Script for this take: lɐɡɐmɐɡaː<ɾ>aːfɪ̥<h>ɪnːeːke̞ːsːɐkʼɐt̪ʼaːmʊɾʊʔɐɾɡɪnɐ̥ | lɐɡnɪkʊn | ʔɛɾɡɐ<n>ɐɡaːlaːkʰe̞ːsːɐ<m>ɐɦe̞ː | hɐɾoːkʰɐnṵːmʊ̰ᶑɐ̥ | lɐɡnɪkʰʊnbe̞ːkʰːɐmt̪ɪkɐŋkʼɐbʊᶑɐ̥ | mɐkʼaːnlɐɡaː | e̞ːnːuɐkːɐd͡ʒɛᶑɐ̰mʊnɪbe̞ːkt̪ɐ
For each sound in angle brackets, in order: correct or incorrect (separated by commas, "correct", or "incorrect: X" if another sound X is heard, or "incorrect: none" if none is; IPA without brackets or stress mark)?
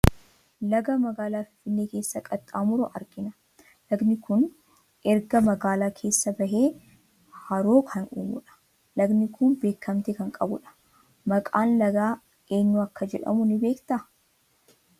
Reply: incorrect: l, incorrect: f, incorrect: m, incorrect: b